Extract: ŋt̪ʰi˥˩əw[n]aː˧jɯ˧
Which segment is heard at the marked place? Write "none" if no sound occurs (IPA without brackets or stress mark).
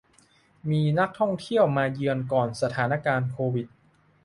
m